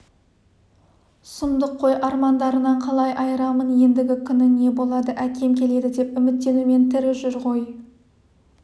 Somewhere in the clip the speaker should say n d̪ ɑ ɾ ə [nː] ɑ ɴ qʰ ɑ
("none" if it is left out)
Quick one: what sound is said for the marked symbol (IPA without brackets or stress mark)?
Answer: n